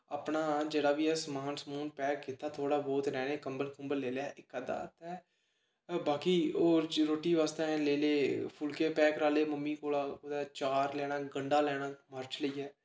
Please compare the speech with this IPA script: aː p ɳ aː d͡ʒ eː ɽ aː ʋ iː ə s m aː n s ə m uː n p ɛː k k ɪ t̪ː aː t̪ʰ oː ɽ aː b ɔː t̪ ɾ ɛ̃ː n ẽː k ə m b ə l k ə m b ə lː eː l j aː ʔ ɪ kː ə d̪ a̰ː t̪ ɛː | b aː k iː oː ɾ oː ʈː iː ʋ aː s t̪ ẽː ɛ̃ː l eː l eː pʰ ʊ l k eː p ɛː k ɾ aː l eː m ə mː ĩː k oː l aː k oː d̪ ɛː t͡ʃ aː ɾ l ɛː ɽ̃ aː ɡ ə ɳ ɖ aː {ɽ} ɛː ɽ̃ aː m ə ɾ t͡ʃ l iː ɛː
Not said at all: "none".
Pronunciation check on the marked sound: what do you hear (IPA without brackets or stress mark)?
l